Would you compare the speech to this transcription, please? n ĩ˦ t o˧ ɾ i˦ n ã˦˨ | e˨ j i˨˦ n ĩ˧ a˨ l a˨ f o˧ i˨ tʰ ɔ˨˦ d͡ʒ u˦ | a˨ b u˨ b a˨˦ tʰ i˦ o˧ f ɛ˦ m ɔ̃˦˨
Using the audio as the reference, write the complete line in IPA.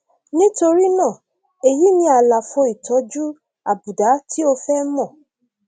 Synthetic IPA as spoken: n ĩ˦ t o˧ ɾ i˦ n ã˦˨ | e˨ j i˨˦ n ĩ˧ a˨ l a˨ f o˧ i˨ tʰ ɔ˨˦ d͡ʒ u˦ | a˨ b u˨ d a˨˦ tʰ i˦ o˧ f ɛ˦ m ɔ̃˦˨